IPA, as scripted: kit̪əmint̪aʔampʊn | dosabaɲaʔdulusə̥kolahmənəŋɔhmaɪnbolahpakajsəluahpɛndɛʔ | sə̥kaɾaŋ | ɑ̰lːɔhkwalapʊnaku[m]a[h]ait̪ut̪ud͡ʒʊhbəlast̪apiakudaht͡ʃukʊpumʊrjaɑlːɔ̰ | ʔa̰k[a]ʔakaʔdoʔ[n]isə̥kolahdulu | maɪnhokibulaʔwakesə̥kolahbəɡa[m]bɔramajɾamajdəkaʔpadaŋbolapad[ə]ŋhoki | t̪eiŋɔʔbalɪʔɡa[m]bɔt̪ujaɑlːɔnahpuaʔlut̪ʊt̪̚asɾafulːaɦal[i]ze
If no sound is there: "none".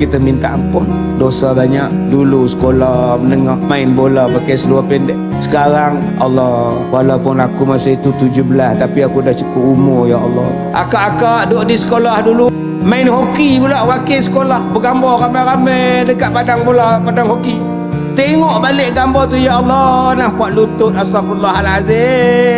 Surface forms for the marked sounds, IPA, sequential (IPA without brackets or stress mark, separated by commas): m, s, a, d, m, a, m, a